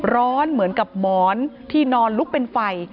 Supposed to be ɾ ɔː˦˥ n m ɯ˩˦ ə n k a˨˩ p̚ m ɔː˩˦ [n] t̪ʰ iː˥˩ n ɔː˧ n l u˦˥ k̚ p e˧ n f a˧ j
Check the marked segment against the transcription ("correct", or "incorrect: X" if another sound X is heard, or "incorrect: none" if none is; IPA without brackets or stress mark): correct